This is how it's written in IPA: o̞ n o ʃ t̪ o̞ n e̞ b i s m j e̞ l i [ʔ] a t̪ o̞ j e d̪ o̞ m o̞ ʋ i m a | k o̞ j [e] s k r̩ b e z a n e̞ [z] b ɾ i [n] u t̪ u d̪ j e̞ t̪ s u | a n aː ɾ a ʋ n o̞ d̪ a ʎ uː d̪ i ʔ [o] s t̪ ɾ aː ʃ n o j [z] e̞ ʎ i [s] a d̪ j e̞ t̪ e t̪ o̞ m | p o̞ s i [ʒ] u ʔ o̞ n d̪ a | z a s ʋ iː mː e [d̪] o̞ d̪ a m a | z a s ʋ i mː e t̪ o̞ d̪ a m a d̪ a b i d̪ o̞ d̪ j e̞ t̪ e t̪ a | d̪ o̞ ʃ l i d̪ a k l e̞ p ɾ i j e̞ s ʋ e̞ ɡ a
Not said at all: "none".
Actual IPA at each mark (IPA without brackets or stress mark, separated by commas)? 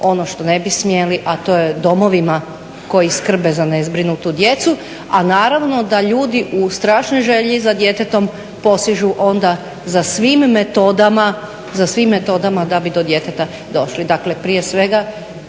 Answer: ʔ, i, z, n, u, ʒ, z, ʒ, t̪